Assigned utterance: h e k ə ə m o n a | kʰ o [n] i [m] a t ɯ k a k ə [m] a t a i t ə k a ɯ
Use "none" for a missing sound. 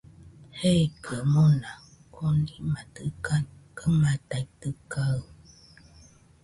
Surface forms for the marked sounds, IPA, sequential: n, m, m

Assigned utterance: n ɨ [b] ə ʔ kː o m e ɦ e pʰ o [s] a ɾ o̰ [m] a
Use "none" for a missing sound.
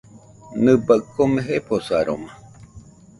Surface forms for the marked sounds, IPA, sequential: b, s, m

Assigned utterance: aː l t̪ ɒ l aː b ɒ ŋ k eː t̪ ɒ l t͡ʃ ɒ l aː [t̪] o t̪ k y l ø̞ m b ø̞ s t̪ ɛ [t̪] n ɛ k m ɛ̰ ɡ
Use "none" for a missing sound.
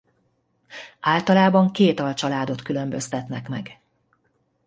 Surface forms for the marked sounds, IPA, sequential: d̪, t̪

